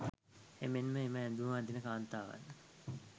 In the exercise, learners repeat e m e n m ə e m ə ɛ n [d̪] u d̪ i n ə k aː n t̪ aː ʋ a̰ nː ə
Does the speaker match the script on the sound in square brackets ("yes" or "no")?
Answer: yes